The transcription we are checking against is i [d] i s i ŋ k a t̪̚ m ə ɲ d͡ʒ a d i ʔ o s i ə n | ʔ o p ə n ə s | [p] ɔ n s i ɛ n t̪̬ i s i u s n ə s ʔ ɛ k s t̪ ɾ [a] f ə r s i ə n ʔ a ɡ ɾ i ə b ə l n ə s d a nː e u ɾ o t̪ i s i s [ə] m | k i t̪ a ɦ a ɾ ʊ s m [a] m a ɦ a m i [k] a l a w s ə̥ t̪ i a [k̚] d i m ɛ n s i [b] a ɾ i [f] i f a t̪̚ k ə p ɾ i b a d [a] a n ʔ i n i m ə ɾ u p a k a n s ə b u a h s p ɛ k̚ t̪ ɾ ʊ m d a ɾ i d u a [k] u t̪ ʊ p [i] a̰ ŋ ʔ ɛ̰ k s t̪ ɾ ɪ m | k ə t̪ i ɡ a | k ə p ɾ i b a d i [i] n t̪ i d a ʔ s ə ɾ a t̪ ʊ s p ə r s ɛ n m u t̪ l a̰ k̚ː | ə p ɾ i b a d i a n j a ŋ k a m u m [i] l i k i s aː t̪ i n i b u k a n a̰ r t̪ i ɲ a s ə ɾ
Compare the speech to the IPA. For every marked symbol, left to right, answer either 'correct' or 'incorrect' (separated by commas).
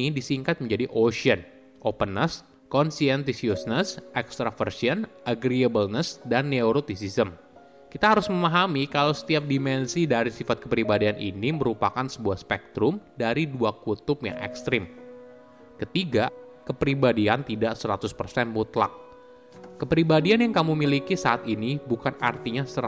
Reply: correct, incorrect, correct, correct, incorrect, correct, incorrect, incorrect, incorrect, incorrect, correct, incorrect, incorrect, correct